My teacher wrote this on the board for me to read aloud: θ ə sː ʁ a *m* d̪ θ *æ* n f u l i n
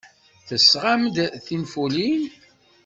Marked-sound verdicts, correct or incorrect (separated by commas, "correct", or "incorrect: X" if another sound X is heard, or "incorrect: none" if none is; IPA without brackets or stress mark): correct, incorrect: i